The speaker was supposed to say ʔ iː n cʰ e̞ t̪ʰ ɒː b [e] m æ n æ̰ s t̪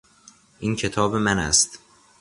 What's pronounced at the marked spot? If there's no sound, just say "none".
e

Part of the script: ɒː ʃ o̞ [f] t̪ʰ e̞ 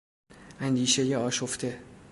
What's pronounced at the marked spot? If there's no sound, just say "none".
f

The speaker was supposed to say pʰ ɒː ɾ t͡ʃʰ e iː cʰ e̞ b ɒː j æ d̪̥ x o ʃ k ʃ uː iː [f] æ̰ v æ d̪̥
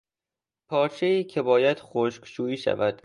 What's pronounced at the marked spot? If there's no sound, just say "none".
ʃ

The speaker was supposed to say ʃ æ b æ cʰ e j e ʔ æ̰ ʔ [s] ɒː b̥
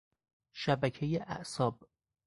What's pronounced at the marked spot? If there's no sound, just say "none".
s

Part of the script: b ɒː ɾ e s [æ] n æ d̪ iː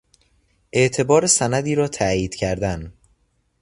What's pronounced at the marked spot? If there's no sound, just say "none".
æ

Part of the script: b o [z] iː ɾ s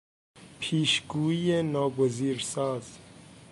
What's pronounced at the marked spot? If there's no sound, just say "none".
z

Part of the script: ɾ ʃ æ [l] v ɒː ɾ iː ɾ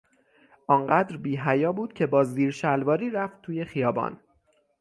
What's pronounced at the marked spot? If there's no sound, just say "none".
l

